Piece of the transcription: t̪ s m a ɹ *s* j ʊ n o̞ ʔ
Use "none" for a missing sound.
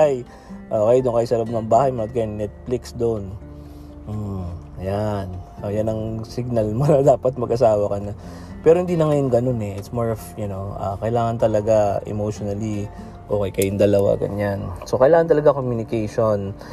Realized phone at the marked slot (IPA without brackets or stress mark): f